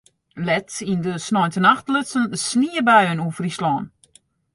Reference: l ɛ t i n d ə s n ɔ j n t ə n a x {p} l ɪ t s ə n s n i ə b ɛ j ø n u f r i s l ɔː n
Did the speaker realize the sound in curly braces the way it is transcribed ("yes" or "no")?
no